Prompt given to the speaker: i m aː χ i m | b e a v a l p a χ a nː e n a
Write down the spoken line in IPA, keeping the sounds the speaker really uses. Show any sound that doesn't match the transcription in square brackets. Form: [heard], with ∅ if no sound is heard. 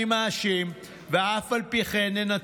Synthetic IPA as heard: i m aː [ʃ] i m | [v] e a [f] a l p [i] χ [e] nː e n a